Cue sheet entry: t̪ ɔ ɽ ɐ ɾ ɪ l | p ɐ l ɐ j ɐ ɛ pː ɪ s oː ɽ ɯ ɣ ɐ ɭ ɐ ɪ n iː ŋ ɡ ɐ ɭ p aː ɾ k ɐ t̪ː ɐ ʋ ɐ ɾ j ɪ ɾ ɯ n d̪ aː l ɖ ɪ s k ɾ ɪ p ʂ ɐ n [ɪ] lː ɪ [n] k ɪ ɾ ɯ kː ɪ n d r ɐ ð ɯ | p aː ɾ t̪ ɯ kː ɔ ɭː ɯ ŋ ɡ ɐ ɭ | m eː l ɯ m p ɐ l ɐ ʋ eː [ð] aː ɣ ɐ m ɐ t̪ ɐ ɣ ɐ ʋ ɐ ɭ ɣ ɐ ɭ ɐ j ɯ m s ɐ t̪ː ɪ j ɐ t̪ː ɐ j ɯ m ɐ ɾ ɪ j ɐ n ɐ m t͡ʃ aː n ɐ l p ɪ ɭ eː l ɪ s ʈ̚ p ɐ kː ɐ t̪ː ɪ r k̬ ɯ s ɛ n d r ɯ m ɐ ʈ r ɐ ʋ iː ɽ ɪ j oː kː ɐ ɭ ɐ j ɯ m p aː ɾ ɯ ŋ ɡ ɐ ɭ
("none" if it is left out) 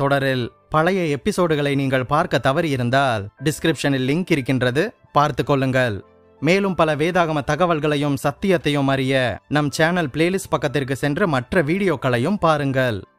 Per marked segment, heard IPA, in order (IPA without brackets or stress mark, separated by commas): ɪ, ŋ, ð